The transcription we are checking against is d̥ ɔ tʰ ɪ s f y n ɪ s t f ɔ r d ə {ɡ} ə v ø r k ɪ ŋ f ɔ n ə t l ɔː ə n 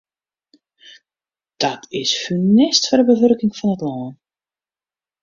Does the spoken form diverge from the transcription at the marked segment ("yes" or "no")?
yes